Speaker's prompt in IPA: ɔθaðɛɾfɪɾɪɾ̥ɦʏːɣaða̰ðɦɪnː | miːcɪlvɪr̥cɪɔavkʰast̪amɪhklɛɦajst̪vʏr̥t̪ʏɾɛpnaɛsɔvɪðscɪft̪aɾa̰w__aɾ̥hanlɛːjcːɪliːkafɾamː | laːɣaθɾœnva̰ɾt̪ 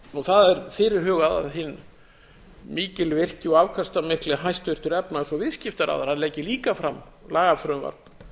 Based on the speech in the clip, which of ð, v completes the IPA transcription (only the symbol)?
ð